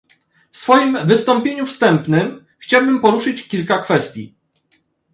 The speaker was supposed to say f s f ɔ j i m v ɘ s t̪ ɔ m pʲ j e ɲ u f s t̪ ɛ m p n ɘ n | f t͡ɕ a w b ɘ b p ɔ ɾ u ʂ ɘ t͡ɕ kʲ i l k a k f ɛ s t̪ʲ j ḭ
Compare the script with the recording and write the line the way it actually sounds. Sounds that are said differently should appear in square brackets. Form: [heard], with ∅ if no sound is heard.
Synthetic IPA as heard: f s f ɔ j i m v ɘ s t̪ ɔ m pʲ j e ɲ u f s t̪ ɛ m p n ɘ [m] | [x] t͡ɕ a w b ɘ [m] p ɔ ɾ u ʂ ɘ t͡ɕ kʲ i l k a k f ɛ s t̪ʲ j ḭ